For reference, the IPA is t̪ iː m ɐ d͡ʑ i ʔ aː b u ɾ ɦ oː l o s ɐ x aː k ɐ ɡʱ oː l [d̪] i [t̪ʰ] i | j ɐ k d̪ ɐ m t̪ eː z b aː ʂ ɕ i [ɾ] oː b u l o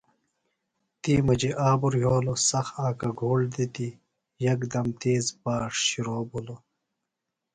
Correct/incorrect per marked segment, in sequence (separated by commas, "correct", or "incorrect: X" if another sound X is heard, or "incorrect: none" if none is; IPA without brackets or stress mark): correct, incorrect: t̪, correct